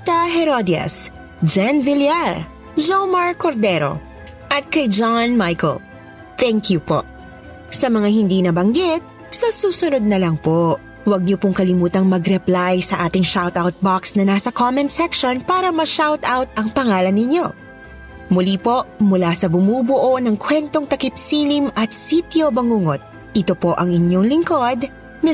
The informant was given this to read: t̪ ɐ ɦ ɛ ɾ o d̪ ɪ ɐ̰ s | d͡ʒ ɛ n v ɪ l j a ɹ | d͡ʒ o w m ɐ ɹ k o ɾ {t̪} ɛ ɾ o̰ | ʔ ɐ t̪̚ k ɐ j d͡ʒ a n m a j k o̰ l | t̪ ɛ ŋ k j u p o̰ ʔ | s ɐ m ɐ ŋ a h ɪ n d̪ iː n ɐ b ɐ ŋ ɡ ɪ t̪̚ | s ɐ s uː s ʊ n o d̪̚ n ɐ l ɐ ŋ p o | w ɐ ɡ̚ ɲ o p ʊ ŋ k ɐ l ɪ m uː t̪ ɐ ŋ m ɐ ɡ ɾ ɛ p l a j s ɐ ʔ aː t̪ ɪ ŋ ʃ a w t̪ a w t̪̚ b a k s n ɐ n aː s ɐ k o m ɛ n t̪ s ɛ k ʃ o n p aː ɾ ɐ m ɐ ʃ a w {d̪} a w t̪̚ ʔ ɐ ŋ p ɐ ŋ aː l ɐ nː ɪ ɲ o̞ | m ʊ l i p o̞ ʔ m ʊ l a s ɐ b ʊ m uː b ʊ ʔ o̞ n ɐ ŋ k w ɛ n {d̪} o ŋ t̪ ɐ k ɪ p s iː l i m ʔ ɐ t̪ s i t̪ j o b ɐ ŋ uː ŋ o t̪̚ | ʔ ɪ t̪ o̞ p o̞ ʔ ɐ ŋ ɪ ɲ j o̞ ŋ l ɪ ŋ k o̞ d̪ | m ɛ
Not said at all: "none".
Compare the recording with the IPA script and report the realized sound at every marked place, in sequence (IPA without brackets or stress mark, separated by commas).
d̪, t̪, t̪